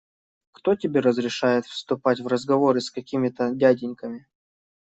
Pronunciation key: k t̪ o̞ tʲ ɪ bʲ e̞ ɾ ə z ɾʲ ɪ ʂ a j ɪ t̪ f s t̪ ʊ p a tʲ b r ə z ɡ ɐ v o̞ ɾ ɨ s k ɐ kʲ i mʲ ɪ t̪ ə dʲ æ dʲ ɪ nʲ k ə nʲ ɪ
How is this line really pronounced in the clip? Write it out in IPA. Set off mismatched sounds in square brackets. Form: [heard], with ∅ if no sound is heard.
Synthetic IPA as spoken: k t̪ o̞ tʲ ɪ bʲ e̞ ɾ ə z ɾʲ ɪ ʂ a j ɪ t̪ f s t̪ ʊ p a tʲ [v] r ə z ɡ ɐ v o̞ ɾ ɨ s k ɐ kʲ i mʲ ɪ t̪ ə dʲ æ dʲ ɪ nʲ k ə [mʲ] ɪ